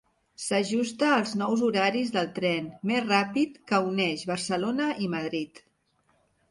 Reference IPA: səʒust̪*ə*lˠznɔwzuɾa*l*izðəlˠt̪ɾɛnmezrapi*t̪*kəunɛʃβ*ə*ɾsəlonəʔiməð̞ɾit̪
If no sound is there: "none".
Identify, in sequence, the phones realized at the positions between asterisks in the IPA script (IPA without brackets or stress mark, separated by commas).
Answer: əː, ɾ, t̪, ə